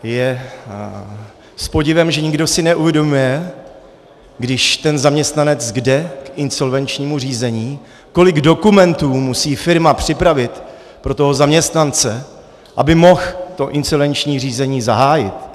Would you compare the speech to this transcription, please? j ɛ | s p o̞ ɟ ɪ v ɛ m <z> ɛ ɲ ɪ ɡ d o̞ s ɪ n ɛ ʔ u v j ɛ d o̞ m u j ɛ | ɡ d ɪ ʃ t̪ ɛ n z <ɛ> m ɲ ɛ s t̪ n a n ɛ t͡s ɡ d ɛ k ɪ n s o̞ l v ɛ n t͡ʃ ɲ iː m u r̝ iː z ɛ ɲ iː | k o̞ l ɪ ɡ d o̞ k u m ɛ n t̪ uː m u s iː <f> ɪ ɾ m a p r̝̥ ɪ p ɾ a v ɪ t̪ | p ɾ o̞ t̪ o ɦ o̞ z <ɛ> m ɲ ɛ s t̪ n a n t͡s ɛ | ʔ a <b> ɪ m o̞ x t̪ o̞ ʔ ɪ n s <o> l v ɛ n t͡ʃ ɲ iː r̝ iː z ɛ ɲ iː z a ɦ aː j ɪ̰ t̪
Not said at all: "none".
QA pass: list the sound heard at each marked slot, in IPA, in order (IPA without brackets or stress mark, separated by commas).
ʒ, a, f, a, b, o